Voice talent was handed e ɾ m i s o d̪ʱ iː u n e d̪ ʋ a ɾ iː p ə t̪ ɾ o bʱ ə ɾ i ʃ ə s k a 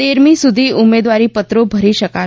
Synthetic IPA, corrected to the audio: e ɾ m i s u d̪ʱ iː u m e d̪ ʋ a ɾ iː p ə t̪ ɾ o bʱ ə ɾ i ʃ ə k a

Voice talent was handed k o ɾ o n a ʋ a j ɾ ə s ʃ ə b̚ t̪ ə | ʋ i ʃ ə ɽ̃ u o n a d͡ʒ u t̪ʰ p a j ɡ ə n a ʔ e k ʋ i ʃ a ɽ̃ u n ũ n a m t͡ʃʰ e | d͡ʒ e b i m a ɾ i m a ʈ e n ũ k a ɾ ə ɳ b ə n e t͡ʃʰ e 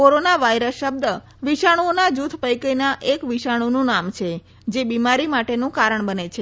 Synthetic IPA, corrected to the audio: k o ɾ o n a ʋ a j ɾ ə s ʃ ə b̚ d̪ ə | ʋ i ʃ a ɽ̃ u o n a d͡ʒ u t̪ʰ p ə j k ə n a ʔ e k ʋ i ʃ a ɽ̃ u n ũ n a m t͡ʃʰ e | d͡ʒ e b i m a ɾ i m a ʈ e n ũ k a ɾ ə ɳ b ə n e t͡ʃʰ e

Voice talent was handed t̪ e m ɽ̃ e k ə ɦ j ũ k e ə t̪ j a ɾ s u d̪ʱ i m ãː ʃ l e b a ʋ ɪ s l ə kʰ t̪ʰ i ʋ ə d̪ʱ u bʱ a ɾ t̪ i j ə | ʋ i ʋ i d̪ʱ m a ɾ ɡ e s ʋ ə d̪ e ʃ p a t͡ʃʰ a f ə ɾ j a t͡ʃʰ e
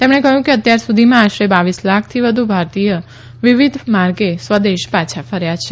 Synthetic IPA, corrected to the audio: t̪ e m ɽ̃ e k ə ɦ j ũ k e ə t̪ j a ɾ s u d̪ʱ i m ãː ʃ ɾ e b a ʋ i s l a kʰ t̪ʰ i ʋ ə d̪ʱ u bʱ a ɾ t̪ i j ə | ʋ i ʋ i d̪ʱ m a ɾ ɡ e s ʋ ə d̪ e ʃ p a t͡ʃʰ a f ə ɾ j a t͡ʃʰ e

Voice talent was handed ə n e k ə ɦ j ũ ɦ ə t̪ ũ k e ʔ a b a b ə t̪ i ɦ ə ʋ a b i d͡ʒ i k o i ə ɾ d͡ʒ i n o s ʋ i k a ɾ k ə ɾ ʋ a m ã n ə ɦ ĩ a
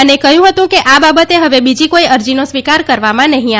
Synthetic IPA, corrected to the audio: ə n e k ə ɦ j ũ ɦ ə t̪ ũ k e ʔ a b a b ə t̪ e ɦ ə ʋ e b i d͡ʒ i k o i ə ɾ d͡ʒ i n o s ʋ i k a ɾ k ə ɾ ʋ a m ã n ə ɦ ĩ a

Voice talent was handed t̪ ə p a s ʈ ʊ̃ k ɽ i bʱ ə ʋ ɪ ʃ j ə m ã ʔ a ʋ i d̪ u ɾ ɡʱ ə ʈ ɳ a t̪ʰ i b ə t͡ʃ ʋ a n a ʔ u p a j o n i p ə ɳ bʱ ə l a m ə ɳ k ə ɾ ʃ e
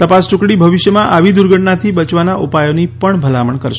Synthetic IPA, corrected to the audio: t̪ ə p a s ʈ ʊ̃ k ɽ i bʱ ə ʋ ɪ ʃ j ə m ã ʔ a ʋ i d̪ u ɾ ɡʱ ə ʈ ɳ a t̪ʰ i b ə t͡ʃ ʋ a n a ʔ u p a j o n i p ə ɳ bʱ ə l a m ə ɳ k ə ɾ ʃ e

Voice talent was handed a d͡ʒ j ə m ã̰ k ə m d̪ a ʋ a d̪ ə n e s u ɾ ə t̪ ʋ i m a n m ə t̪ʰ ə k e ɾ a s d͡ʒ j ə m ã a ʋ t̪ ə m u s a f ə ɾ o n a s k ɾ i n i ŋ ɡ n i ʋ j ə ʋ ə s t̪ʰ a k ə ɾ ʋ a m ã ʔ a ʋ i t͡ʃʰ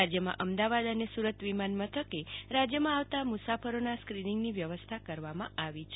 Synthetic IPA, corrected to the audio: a d͡ʒ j ə m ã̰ ʔ ə m d̪ a ʋ a d̪ ə n e s u ɾ ə t̪ ʋ i m a n m ə t̪ʰ ə k e ɾ a d͡ʒ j ə m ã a ʋ t̪ a m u s a f ə ɾ o n a s k ɾ i n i ŋ ɡ n i ʋ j ə ʋ ə s t̪ʰ a k ə ɾ ʋ a m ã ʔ a ʋ i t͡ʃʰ

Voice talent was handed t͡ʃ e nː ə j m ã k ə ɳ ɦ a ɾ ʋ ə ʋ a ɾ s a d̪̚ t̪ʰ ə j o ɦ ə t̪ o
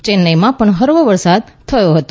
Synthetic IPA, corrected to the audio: t͡ʃ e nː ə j m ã p ə ɳ ɦ ə ɾ ʋ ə ʋ ə ɾ s a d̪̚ t̪ʰ ə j o ɦ ə t̪ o

